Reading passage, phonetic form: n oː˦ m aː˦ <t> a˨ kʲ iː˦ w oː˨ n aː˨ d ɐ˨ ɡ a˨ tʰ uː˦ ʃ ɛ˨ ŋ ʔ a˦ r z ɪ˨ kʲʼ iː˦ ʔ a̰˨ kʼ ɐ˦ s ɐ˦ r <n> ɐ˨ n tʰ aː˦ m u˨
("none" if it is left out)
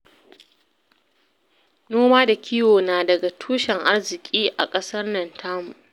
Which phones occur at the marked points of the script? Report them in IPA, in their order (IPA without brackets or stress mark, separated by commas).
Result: d, n